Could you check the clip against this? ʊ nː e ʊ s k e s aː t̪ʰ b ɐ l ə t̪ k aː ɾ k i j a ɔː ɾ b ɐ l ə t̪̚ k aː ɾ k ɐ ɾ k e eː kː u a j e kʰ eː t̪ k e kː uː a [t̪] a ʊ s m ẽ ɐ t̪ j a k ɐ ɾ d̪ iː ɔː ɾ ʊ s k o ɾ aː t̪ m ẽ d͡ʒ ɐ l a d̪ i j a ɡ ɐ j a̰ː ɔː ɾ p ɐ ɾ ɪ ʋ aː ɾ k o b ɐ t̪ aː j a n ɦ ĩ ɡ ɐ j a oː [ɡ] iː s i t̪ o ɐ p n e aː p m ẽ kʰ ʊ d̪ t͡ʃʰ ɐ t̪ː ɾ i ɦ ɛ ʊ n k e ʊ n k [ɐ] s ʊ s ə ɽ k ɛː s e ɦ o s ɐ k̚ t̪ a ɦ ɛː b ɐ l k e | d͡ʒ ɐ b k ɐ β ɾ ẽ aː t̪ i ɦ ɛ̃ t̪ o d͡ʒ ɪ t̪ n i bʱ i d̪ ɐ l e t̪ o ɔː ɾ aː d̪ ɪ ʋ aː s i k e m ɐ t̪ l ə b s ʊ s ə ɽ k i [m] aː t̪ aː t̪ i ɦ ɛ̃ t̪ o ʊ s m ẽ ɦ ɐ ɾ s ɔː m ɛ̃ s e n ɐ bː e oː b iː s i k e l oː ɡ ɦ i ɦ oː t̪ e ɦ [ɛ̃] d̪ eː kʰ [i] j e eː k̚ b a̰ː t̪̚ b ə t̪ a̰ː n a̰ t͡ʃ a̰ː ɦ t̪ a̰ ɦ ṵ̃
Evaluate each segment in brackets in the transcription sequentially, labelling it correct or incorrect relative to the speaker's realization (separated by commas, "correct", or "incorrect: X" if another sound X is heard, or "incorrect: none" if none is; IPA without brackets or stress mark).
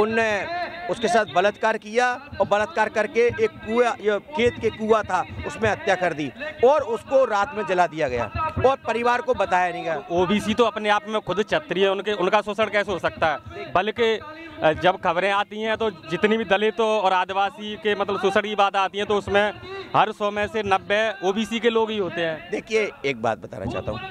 incorrect: t̪ʰ, incorrect: b, incorrect: a, incorrect: b, incorrect: ɛ̃ː, correct